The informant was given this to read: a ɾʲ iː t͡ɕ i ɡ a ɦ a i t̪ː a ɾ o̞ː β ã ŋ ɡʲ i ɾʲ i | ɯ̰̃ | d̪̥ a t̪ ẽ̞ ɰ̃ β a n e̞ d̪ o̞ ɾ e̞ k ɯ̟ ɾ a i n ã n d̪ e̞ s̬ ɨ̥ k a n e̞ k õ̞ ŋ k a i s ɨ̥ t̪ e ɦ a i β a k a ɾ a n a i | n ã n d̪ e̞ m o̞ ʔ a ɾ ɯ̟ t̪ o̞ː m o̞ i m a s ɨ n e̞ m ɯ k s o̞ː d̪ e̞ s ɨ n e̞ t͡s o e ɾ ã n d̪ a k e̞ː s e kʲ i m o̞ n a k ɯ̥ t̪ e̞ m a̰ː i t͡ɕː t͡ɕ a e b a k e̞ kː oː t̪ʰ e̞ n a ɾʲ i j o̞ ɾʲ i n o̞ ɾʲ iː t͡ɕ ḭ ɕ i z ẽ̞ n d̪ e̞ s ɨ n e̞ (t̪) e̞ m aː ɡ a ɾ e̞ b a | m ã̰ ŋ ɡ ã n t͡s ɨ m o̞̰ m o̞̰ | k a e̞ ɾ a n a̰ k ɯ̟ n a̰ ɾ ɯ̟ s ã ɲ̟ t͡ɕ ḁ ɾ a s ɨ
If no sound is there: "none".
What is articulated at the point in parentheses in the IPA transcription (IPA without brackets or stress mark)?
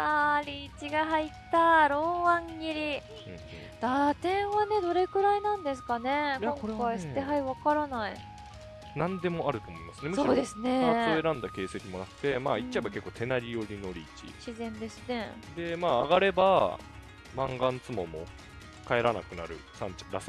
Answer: d̪